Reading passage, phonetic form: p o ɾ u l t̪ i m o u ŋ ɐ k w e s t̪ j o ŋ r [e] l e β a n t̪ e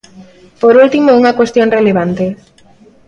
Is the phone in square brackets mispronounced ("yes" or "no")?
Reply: no